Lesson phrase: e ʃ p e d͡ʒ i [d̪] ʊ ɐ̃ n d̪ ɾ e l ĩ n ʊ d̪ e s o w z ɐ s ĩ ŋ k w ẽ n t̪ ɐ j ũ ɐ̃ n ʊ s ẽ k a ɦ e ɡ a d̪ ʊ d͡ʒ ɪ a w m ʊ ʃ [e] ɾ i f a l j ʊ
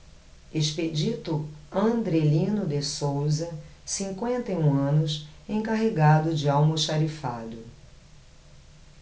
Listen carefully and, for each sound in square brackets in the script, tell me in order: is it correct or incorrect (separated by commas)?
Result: incorrect, incorrect